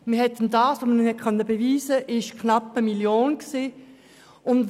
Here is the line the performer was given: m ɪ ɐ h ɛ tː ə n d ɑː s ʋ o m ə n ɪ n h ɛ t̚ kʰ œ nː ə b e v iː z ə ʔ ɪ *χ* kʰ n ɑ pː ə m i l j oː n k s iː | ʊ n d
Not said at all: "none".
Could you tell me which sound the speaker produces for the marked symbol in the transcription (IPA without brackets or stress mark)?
ʃ